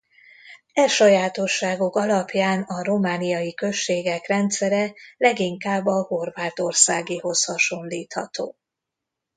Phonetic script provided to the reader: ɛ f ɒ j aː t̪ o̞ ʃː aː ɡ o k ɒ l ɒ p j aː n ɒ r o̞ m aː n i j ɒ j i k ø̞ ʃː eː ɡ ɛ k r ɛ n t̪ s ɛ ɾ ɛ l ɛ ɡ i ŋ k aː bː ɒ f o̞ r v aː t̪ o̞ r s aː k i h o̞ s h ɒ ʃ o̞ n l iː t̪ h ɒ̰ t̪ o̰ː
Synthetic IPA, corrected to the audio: ɛ ʃ ɒ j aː t̪ o̞ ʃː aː ɡ o k ɒ l ɒ p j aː n ɒ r o̞ m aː n i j ɒ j i k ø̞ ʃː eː ɡ ɛ k r ɛ n t̪ s ɛ ɾ ɛ l ɛ ɡ i ŋ k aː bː ɒ h o̞ r v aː t̪ o̞ r s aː ɡ i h o̞ s h ɒ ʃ o̞ n l iː t̪ h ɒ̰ t̪ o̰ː